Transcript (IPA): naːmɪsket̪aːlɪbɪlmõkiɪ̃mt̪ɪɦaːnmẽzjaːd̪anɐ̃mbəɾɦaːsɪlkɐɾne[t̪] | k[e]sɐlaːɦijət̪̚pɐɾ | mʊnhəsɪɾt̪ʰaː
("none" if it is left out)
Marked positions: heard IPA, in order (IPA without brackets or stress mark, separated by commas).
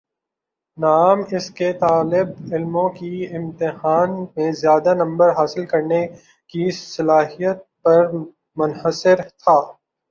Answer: none, i